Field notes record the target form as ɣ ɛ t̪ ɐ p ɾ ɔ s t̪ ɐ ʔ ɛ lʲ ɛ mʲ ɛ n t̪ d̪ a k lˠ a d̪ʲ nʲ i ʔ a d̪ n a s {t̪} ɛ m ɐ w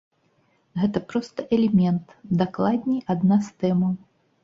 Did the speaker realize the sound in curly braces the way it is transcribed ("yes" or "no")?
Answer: yes